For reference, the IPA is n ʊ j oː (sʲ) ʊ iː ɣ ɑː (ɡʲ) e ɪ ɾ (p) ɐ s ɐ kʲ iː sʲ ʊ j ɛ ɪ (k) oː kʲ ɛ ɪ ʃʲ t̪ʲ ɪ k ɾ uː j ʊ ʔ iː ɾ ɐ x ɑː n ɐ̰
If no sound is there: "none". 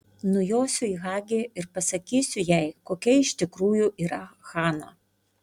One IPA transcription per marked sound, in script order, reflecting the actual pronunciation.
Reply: sʲ, ɡʲ, p, k

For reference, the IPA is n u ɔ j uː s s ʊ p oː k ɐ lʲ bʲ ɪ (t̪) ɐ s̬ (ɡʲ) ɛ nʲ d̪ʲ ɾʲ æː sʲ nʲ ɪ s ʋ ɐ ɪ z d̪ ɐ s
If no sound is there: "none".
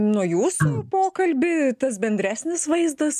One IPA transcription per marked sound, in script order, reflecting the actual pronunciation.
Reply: t̪, bʲ

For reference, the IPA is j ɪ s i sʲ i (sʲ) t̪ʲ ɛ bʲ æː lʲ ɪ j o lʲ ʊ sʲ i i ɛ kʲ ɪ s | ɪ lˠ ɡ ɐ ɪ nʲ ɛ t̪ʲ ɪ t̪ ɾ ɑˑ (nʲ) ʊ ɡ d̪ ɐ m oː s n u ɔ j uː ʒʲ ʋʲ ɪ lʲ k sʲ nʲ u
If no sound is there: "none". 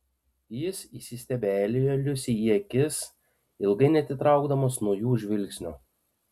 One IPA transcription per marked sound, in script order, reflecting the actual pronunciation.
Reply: sʲ, none

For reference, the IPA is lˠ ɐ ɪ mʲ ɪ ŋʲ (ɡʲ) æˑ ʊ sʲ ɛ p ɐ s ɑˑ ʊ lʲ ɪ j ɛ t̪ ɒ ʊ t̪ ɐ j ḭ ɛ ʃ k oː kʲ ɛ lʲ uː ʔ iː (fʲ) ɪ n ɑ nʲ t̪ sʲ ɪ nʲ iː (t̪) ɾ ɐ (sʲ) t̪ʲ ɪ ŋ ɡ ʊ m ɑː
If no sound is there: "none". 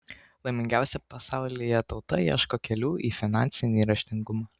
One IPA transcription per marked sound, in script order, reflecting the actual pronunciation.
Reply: ɡʲ, fʲ, none, ʃʲ

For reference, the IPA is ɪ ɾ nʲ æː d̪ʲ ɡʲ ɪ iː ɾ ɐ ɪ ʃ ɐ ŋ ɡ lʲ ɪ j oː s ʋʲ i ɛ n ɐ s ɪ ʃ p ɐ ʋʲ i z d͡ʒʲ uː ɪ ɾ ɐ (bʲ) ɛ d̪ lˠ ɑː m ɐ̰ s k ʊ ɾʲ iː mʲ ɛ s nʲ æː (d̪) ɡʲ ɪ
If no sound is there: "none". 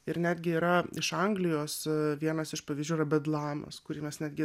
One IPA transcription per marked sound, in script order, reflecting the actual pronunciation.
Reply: bʲ, d̪

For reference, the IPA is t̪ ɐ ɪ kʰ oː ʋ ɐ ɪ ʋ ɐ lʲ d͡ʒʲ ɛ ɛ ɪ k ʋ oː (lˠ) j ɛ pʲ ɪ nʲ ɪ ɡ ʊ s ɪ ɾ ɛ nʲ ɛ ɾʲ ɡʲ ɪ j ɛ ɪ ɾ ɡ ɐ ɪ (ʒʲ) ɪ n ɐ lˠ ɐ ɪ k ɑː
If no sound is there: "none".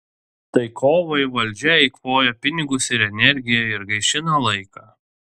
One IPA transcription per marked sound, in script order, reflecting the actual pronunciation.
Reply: none, ʃʲ

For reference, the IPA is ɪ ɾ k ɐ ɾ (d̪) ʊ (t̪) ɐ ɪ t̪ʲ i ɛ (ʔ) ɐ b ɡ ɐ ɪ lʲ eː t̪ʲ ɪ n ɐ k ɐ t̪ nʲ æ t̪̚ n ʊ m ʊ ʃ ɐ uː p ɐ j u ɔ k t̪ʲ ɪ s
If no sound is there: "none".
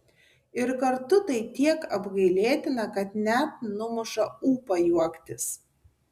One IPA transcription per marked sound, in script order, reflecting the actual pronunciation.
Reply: t̪, t̪, k

